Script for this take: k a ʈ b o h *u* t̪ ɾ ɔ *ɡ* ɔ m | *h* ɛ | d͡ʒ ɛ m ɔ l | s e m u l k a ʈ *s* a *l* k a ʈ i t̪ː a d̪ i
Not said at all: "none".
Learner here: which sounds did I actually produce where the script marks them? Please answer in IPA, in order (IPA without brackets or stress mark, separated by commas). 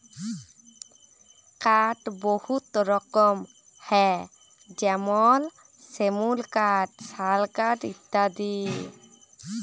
u, k, h, s, l